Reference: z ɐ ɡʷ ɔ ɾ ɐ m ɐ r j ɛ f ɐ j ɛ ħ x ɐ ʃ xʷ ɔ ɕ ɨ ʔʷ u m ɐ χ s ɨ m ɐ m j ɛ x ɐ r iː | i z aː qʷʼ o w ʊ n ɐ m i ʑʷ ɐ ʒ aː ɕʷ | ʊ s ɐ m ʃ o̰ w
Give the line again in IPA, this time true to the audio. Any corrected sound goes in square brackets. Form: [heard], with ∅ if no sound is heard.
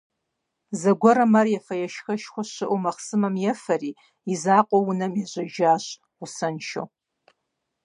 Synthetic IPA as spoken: z ɐ ɡʷ ɔ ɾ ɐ m ɐ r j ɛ f ɐ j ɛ [ʃ] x ɐ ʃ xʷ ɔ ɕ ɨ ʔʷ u m ɐ χ s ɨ m ɐ m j ɛ [f] ɐ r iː | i z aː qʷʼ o w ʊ n ɐ m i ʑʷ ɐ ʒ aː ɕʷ | ʊ s ɐ [n] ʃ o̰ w

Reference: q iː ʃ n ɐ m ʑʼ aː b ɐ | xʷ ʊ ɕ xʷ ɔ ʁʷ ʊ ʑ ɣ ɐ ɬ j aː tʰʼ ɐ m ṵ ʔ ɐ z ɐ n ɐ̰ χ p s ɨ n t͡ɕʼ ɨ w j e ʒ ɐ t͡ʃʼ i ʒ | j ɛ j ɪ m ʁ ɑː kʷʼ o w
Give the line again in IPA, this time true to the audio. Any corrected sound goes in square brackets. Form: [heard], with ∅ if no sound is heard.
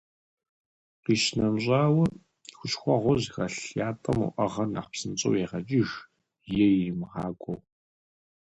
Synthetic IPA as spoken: q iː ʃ n ɐ m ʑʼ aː [w] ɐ | xʷ ʊ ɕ xʷ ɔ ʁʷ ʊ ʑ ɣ ɐ ɬ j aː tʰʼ ɐ m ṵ ʔ ɐ [ʁ] ɐ n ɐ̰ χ p s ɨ n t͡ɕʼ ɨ w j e [ʁ] ɐ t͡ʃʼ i ʒ | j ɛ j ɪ m ʁ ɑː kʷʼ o w

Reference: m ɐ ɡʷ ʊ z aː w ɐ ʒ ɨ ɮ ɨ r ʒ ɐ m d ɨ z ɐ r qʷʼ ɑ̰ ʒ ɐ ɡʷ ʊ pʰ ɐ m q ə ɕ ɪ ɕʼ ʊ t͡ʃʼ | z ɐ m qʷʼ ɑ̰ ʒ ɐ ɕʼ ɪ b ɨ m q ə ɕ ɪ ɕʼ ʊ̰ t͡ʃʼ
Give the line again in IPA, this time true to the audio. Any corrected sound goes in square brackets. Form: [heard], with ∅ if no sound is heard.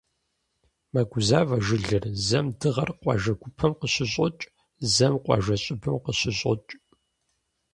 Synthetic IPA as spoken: m ɐ ɡʷ ʊ z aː [v] ɐ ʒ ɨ ɮ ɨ r [z] ɐ m d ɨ [ʁ] ɐ r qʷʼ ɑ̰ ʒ ɐ ɡʷ ʊ pʰ ɐ m q ə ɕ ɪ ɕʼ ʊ t͡ʃʼ | z ɐ m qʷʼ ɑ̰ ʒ ɐ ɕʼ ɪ b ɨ m q ə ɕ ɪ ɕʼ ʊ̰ t͡ʃʼ

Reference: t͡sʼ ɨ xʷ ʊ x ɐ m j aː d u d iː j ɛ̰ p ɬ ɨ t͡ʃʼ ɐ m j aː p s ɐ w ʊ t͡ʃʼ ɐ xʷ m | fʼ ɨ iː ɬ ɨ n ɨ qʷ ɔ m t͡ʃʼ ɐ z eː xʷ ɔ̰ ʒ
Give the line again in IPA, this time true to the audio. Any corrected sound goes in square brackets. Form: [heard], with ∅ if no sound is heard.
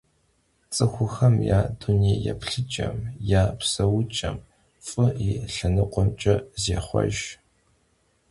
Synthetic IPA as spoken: t͡sʼ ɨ xʷ ʊ x ɐ m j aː d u [n] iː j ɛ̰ p ɬ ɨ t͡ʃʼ ɐ m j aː p s ɐ w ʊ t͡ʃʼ ɐ [∅] m | fʼ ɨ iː ɬ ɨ n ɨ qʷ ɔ m t͡ʃʼ ɐ z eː [χʷ] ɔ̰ ʒ

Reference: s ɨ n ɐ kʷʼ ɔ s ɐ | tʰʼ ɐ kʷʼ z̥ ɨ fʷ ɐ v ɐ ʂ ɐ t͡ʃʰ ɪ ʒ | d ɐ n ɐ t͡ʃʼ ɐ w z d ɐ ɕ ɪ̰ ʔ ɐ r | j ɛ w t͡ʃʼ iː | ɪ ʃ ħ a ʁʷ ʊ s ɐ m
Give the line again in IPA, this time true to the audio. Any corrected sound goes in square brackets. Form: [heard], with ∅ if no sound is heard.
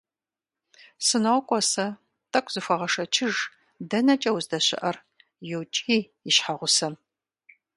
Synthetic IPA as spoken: s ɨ n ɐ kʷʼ ɔ s ɐ | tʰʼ ɐ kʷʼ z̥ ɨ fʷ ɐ [ʁ] ɐ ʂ ɐ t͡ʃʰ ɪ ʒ | d ɐ n ɐ t͡ʃʼ ɐ w z d ɐ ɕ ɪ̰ ʔ ɐ r | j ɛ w t͡ʃʼ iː | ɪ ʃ ħ a ʁʷ ʊ s ɐ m

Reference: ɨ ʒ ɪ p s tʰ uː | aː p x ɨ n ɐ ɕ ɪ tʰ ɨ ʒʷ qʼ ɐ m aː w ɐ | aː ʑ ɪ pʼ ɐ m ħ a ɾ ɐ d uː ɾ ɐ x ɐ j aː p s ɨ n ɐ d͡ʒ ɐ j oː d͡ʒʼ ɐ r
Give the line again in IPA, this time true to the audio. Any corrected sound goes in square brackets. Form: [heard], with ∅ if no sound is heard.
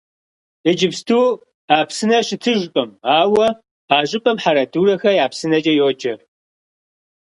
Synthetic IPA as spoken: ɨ [d͡ʒ] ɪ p s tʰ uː | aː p [s] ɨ n ɐ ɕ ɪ tʰ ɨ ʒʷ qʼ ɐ m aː w ɐ | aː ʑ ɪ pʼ ɐ m ħ a ɾ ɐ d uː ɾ ɐ x ɐ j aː p s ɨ n ɐ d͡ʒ ɐ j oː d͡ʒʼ ɐ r

